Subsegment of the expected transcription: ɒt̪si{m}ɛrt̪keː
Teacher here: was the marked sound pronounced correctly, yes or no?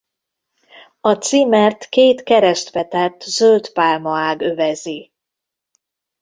yes